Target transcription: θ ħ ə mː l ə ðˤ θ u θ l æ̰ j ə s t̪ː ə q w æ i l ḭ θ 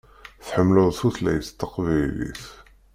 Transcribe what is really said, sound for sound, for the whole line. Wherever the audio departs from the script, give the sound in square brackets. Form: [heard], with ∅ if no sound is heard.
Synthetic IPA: θ ħ ə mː l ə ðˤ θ u θ l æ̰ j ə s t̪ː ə q [v] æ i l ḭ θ